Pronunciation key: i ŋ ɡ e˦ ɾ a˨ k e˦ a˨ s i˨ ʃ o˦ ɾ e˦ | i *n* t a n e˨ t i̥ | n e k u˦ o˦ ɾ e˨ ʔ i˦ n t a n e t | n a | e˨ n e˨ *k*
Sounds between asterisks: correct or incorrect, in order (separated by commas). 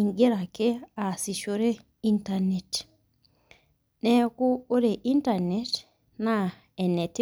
correct, incorrect